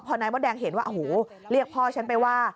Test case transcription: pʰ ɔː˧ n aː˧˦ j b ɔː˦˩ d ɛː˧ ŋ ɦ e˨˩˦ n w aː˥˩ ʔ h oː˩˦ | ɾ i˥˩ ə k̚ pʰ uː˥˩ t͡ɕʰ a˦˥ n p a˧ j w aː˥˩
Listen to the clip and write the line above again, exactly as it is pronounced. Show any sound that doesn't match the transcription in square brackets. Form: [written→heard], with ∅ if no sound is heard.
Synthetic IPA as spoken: pʰ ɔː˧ n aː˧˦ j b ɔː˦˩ d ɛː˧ ŋ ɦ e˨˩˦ n w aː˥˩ ʔ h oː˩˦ | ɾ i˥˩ ə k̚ pʰ [uː˥˩→ɔː˥˩] t͡ɕʰ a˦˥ n p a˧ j w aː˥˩